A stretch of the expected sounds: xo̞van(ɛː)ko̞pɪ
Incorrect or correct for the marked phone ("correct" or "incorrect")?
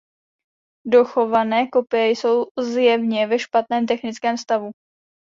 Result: correct